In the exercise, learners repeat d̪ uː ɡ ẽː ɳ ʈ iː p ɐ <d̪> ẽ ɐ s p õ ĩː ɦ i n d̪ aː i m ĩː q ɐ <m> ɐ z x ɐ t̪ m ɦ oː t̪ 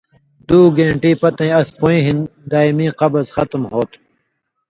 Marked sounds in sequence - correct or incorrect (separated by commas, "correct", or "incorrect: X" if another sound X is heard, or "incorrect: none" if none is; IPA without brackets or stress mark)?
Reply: incorrect: t̪, incorrect: b